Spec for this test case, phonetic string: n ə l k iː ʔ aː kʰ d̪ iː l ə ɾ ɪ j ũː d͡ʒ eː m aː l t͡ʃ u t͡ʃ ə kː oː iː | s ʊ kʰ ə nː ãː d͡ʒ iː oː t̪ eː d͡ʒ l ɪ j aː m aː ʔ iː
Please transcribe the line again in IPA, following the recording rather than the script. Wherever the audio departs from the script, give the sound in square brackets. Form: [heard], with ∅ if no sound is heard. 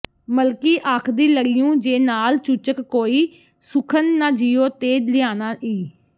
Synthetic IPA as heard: [m] ə l k iː ʔ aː kʰ d̪ iː l ə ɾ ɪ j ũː d͡ʒ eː [n] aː l t͡ʃ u t͡ʃ ə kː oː iː | s ʊ kʰ ə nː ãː d͡ʒ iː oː t̪ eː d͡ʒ l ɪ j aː [n] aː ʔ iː